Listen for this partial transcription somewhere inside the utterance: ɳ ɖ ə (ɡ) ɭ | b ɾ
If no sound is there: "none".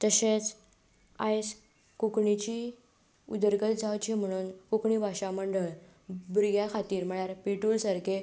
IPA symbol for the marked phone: none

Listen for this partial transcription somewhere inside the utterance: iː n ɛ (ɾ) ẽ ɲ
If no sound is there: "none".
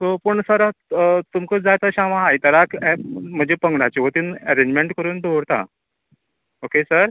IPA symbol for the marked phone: ɾ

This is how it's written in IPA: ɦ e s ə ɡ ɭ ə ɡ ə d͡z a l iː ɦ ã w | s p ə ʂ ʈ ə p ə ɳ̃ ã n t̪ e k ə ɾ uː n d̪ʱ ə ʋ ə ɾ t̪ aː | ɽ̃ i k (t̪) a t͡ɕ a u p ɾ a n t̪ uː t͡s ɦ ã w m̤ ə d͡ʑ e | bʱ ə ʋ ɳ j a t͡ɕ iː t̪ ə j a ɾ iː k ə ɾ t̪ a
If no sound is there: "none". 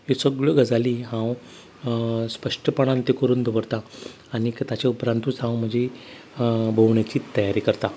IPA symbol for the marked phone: t̪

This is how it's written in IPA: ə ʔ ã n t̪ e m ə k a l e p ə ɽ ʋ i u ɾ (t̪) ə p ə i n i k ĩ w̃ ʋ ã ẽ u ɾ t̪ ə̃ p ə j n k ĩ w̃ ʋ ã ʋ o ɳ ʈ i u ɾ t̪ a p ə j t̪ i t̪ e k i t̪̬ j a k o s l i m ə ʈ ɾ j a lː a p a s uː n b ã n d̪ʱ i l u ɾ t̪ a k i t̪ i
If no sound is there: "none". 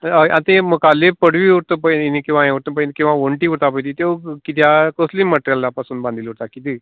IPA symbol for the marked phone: t̪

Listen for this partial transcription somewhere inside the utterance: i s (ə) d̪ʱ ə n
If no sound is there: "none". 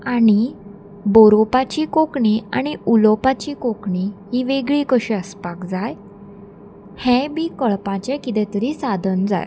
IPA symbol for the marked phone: a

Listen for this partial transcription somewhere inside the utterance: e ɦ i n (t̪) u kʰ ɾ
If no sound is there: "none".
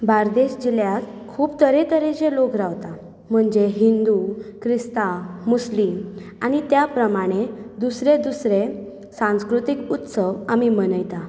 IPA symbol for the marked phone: d̪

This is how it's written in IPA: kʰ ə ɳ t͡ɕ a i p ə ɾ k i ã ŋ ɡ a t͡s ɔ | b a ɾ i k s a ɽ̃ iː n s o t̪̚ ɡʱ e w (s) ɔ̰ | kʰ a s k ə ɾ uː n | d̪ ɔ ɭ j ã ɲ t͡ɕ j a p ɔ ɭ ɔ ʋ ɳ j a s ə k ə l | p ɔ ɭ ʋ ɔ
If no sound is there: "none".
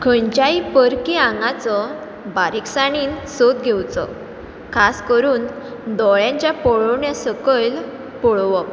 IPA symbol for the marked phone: t͡s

